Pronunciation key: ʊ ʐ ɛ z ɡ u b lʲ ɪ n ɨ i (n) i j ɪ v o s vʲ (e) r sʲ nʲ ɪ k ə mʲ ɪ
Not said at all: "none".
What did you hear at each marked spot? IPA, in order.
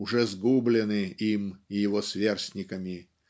m, e

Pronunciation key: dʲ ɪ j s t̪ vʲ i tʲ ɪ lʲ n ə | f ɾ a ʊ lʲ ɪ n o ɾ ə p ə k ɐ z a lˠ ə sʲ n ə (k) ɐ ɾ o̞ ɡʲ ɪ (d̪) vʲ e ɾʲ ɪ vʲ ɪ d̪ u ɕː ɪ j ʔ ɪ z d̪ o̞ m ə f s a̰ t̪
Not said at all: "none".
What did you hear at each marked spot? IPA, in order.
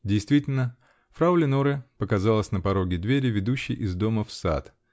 p, d̪

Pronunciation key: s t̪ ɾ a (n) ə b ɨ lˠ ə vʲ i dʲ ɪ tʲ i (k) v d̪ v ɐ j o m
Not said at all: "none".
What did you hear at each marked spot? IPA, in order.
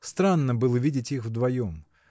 nː, x

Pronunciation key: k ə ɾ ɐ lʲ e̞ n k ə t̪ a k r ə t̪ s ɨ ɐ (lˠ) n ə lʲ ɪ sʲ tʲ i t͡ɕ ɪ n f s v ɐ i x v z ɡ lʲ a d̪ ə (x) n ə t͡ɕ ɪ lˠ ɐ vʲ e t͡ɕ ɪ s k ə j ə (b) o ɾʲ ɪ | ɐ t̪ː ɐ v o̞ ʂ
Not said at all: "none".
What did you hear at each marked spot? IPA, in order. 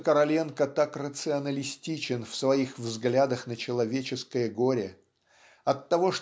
none, x, ɡ

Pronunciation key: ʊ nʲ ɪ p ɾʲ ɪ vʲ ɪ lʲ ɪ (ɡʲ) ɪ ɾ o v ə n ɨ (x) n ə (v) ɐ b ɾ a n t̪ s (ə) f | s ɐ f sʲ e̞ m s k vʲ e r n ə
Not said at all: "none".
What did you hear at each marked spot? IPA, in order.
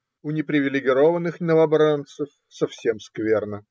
ɡʲ, x, v, ə

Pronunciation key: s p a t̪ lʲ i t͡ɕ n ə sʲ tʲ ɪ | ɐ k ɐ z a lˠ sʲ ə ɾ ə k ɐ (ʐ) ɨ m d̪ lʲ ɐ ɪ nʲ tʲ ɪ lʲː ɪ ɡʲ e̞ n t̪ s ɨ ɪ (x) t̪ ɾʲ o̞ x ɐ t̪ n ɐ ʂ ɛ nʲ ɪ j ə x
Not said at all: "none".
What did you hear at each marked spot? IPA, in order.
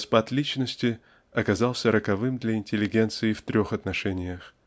v, f

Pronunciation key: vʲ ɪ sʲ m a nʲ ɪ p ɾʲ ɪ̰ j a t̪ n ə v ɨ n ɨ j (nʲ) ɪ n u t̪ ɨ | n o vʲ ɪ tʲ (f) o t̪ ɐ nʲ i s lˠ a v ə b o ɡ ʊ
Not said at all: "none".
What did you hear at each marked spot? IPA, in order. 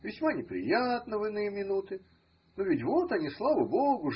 mʲ, v

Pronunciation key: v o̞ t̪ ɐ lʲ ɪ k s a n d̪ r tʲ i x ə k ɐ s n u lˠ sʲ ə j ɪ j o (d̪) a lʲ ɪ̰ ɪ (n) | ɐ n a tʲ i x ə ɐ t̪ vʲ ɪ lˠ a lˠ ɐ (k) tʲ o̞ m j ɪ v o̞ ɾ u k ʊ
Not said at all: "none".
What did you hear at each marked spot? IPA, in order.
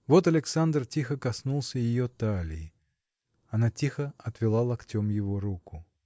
t̪, none, k

